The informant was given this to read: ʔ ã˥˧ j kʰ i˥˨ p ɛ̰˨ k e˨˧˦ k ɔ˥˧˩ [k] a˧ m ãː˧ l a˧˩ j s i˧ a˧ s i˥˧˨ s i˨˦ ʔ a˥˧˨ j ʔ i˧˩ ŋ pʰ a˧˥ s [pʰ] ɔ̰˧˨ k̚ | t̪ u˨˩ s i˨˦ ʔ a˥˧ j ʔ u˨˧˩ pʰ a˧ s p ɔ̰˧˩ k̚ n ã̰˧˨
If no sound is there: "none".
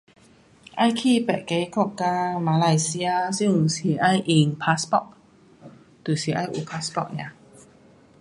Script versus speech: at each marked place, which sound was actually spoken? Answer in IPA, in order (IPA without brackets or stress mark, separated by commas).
k, p